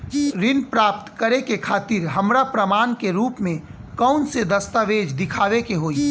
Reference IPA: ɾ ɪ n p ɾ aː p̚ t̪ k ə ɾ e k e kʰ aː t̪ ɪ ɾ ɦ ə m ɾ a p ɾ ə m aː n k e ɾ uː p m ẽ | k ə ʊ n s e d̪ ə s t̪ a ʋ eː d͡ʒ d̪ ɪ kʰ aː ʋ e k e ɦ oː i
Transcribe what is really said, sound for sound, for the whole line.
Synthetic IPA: ɾ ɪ n p ɾ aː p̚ t̪ k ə ɾ e k e kʰ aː t̪ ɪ ɾ ɦ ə m ɾ a p ɾ ə m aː n k e ɾ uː p m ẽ | k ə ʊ n s e d̪ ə s t̪ a ʋ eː d͡ʒ d̪ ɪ kʰ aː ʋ e k e ɦ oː i